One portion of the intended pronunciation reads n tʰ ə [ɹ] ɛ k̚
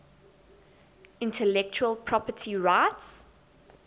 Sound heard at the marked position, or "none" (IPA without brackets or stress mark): l